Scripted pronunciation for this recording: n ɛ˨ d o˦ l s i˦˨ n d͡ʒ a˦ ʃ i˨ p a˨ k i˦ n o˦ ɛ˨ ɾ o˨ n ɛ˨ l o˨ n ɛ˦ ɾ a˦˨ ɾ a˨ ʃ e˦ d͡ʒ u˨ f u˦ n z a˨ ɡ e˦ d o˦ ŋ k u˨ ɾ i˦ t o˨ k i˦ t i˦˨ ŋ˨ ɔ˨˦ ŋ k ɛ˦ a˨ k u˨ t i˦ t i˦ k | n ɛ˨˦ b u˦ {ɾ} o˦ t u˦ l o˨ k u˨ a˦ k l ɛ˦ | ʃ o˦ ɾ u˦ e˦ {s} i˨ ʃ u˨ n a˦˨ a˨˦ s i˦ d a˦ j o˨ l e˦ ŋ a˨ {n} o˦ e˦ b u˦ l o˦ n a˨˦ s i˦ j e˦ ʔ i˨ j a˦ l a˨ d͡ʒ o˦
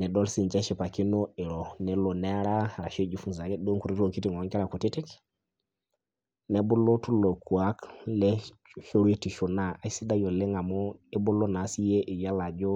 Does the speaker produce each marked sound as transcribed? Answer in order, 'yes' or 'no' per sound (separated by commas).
no, no, no